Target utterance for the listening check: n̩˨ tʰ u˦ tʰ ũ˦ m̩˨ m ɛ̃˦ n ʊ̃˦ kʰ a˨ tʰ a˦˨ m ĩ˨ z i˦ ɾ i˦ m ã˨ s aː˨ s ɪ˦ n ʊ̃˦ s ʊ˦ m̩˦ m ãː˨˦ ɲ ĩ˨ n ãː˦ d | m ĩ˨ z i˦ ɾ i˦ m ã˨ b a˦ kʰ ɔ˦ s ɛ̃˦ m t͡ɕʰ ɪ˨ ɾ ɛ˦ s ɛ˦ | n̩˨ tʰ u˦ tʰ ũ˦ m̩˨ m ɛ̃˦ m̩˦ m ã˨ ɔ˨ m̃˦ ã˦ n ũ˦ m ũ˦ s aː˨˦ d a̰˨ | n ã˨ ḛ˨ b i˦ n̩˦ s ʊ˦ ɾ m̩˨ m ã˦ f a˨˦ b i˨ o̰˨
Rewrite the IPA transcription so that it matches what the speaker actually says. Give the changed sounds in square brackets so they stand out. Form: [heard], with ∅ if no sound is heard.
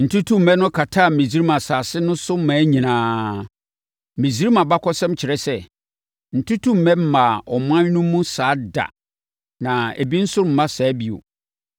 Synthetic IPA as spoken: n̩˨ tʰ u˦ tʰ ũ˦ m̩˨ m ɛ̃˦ n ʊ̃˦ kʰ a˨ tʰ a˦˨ m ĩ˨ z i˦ ɾ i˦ m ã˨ s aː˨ s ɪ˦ n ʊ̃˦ s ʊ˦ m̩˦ m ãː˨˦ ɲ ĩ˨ n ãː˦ [∅] | m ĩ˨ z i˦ ɾ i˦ m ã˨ b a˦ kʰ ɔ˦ s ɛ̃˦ m t͡ɕʰ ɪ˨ ɾ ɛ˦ s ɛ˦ | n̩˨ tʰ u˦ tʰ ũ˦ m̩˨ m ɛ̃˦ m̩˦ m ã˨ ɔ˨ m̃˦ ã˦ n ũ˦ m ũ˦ s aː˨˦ d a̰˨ | n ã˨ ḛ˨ b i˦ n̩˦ s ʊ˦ ɾ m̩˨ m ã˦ [s] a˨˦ b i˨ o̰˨